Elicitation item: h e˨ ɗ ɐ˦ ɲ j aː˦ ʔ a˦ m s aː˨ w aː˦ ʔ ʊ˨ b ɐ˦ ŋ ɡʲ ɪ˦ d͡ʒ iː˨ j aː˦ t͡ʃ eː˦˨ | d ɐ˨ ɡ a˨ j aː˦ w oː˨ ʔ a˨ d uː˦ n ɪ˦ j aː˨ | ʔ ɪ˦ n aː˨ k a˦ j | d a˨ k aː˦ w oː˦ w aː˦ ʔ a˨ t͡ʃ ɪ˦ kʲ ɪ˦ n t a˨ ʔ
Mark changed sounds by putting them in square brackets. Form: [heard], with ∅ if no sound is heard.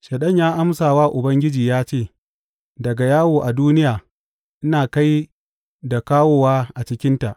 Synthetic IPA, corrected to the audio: [ʃ] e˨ ɗ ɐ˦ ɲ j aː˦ ʔ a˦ m s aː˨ w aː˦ ʔ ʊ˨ b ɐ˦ ŋ ɡʲ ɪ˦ d͡ʒ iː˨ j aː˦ t͡ʃ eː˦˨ | d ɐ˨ ɡ a˨ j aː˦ w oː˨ ʔ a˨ d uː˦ n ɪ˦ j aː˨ | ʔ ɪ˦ n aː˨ k a˦ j | d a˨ k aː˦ w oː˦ w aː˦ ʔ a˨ t͡ʃ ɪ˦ kʲ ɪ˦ n t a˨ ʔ